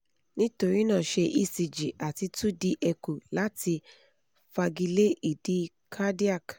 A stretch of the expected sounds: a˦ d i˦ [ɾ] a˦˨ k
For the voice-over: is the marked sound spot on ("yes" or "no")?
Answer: no